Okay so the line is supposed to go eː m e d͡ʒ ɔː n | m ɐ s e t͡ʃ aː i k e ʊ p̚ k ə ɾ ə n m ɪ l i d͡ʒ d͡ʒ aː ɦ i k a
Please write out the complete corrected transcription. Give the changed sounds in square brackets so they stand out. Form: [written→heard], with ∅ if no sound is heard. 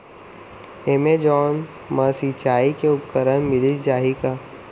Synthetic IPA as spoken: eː m e d͡ʒ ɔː n | m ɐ s [e→i] t͡ʃ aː i k e ʊ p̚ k ə ɾ ə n m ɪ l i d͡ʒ d͡ʒ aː ɦ i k a

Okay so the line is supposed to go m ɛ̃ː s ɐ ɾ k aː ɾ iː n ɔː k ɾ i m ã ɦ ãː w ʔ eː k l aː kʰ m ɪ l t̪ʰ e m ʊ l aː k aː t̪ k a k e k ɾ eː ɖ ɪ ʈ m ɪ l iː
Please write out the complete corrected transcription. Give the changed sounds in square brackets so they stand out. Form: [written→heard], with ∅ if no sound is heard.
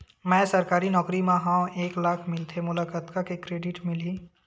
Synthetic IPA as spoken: m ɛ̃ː s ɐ ɾ k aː ɾ [iː→i] n ɔː k ɾ i m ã ɦ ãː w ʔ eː k l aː kʰ m ɪ l t̪ʰ e m ʊ l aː k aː t̪ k a k e k ɾ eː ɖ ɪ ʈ m ɪ l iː

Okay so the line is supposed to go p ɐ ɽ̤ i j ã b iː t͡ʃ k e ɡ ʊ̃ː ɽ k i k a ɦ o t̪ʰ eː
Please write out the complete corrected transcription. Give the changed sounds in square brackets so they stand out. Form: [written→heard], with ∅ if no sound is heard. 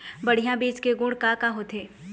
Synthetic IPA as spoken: [p→b] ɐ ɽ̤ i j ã b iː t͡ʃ k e ɡ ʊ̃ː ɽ k [i→a] k a ɦ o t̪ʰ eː

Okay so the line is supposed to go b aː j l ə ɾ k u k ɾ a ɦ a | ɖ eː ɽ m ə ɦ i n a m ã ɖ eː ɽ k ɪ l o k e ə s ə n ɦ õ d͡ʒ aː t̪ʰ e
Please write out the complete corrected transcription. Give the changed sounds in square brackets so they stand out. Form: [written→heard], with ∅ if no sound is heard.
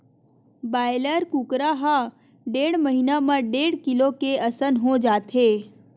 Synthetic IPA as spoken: b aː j l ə ɾ k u k ɾ a ɦ a | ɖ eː ɽ m ə ɦ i n a m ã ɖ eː ɽ k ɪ l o k e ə s ə n ɦ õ d͡ʒ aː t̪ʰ e

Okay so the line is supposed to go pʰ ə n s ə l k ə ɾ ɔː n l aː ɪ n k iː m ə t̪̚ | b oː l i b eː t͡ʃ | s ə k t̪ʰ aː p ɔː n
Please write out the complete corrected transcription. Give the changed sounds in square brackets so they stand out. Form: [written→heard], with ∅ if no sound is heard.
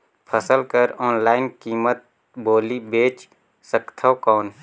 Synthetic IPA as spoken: pʰ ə [n→∅] s ə l k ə ɾ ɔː n l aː ɪ n k iː m ə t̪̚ | b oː l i b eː t͡ʃ | s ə k t̪ʰ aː [p→k] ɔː n

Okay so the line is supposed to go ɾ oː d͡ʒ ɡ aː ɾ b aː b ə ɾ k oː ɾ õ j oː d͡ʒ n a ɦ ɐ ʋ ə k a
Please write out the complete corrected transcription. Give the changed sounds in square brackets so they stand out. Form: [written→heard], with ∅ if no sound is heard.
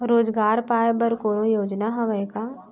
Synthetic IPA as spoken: ɾ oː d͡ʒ ɡ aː ɾ [b→p] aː b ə ɾ k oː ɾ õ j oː d͡ʒ n a ɦ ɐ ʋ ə k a

